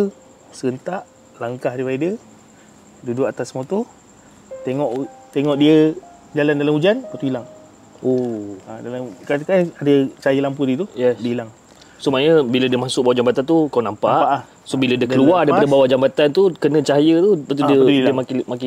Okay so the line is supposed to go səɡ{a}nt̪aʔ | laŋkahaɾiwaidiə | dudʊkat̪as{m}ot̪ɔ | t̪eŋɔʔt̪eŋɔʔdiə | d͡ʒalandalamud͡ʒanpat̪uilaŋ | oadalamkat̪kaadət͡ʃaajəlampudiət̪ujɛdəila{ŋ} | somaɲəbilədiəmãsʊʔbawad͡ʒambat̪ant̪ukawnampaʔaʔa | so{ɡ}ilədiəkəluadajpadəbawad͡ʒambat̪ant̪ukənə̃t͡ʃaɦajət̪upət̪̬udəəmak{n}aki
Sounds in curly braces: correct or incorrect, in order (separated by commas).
incorrect, correct, correct, incorrect, incorrect